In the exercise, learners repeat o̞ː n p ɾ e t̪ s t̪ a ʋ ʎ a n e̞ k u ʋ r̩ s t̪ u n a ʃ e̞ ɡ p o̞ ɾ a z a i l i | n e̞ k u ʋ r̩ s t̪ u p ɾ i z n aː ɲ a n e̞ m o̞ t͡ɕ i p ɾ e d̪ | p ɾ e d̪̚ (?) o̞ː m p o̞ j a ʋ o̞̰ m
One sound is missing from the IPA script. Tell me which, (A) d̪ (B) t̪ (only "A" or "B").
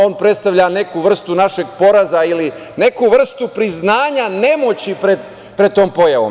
B